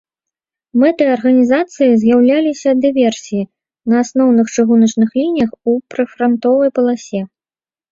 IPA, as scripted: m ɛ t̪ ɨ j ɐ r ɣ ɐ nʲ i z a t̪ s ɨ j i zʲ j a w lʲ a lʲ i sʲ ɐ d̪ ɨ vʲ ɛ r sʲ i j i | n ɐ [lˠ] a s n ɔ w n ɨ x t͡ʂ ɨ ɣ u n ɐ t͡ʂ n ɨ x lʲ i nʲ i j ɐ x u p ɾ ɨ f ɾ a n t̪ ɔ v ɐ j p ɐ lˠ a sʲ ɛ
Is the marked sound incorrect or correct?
incorrect